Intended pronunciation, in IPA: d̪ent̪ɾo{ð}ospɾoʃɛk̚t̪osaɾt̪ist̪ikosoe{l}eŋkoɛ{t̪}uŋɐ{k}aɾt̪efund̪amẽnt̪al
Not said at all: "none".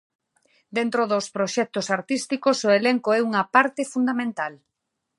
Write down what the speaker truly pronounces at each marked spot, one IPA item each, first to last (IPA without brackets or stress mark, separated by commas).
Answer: ð, l, none, p